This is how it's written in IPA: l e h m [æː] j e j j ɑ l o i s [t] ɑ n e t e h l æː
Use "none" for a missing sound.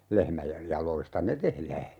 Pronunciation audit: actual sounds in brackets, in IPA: æ, t

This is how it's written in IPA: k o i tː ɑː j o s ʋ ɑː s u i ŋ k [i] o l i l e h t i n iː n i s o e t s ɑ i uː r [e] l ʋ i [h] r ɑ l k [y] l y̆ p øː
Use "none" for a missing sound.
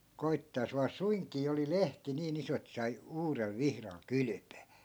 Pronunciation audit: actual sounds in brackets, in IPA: iː, e, h, y

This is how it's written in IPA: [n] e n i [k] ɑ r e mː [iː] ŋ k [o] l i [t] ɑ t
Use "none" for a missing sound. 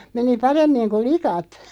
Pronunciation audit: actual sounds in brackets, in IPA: m, p, i, u, k

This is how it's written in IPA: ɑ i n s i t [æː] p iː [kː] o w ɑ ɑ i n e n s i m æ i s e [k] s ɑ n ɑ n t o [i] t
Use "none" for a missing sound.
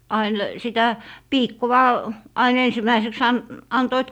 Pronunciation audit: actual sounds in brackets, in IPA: æ, kː, k, i

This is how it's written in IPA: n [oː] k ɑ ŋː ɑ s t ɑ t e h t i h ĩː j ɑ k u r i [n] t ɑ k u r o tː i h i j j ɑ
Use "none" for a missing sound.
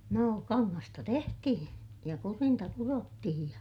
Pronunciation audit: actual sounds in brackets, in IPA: oː, n

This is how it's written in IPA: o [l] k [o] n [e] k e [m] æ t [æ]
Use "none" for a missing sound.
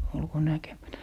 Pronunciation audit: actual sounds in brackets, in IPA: l, o, æ, m, æ

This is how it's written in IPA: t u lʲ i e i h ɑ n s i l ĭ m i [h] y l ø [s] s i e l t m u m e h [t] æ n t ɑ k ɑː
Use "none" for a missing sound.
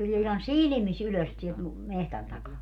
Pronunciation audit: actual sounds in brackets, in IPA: s, s, t

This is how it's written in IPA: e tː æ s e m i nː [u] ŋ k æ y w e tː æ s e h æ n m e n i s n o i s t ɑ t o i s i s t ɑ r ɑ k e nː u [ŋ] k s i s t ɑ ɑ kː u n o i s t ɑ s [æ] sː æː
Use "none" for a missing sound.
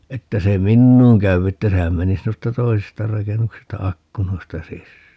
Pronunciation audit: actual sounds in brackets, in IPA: uː, none, i

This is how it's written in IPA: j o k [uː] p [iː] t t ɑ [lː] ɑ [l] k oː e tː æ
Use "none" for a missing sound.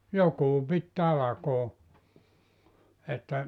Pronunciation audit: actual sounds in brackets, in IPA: uː, i, l, none

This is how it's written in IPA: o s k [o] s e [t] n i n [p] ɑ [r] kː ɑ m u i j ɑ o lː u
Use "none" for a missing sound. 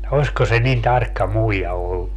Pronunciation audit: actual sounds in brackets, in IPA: o, none, t, r

